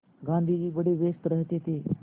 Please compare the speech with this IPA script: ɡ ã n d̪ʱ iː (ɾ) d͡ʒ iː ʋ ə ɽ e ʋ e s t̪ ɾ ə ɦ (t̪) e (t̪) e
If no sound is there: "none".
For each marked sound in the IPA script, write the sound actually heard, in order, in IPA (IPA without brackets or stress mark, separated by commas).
none, t̪, t̪